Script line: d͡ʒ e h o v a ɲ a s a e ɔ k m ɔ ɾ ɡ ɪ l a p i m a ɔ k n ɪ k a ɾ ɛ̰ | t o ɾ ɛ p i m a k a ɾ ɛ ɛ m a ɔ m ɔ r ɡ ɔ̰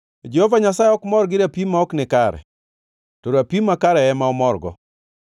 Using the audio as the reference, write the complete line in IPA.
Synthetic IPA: d͡ʒ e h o v a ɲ a s a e ɔ k m ɔ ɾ ɡ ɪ ɾ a p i m a ɔ k n ɪ k a ɾ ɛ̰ | t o ɾ a p i m a k a ɾ ɛ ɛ m a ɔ m ɔ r ɡ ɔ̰